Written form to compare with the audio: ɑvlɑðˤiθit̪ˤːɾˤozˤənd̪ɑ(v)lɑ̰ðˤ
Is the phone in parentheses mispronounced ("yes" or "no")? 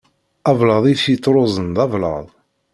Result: no